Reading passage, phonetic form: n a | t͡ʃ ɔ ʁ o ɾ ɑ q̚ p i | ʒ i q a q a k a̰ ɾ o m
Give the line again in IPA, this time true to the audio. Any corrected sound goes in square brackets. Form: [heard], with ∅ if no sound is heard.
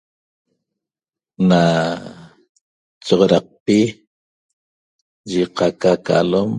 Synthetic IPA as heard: n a | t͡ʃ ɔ ʁ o ɾ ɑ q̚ p i | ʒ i q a [k] a k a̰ [l] o m

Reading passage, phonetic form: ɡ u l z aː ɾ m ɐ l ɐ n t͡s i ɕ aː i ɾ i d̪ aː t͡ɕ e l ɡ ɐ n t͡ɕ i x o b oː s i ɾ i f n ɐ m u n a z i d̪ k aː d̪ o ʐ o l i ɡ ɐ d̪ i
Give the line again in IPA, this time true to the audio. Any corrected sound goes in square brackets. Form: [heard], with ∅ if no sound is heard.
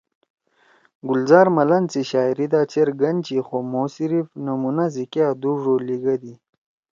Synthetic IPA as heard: ɡ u l z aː ɾ m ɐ l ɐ n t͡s i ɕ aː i ɾ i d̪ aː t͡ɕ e [ɾ] ɡ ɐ n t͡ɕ i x o [m] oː s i ɾ i f n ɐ m u n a z i [∅] k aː d̪ [u] ʐ o l i ɡ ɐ d̪ i

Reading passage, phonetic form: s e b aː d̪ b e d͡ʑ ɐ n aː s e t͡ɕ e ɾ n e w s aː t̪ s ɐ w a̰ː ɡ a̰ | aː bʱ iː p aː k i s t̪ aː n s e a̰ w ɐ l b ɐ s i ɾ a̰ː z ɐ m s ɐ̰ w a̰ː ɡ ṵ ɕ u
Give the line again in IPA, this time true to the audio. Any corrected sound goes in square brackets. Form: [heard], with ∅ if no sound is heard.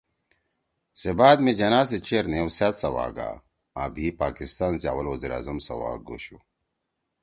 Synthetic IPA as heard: s e b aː d̪ [m] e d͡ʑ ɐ n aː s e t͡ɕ e ɾ n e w s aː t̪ s ɐ w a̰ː ɡ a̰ | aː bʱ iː p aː k i s t̪ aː n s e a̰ w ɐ l [w] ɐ [z] i ɾ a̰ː z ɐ m s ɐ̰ w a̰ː ɡ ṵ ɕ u

